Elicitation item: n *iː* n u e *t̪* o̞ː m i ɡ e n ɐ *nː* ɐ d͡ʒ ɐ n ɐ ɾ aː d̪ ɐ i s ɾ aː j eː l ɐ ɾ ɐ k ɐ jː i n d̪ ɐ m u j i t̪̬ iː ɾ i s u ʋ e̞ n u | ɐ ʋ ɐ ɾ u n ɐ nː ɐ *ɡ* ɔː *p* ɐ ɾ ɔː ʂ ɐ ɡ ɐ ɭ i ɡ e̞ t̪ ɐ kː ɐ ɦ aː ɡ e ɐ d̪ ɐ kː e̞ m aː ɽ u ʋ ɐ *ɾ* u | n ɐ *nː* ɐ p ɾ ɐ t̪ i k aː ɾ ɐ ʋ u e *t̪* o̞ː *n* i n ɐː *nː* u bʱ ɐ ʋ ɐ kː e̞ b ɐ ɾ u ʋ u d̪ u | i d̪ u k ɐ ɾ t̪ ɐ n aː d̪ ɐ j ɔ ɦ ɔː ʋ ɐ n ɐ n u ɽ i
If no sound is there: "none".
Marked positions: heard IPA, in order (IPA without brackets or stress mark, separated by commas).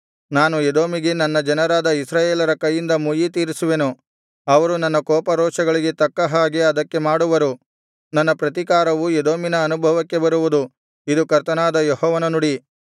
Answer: aː, d̪, nː, k, p, ɾ, nː, d̪, m, n